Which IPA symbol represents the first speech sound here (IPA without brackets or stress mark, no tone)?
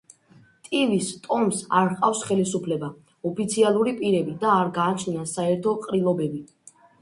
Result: t̪ʼ